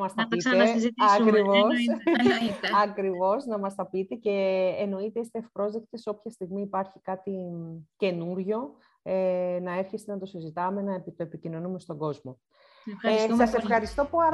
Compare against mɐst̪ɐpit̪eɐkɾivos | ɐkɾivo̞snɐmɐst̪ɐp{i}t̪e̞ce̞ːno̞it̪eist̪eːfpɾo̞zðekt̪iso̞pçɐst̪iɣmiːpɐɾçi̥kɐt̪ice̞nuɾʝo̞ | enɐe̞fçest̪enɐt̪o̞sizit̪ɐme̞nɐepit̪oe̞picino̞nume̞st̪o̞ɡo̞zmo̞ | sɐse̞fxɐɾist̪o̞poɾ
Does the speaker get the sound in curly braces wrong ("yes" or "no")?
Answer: no